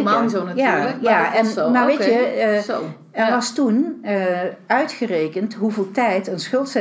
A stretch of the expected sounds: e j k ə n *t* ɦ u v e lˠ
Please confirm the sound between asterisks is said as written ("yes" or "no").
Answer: yes